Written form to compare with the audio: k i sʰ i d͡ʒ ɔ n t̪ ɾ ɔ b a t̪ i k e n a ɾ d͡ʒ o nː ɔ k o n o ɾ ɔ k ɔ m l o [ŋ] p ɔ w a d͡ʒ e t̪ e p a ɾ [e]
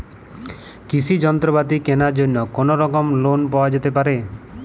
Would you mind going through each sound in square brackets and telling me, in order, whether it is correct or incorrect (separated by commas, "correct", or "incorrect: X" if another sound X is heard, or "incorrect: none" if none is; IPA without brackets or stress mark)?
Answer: incorrect: n, correct